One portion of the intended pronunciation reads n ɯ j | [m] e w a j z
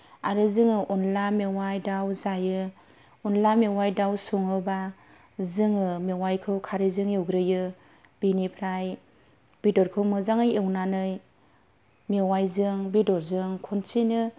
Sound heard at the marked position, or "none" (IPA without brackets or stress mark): m